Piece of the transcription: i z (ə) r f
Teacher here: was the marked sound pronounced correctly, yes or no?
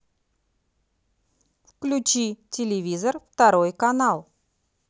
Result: yes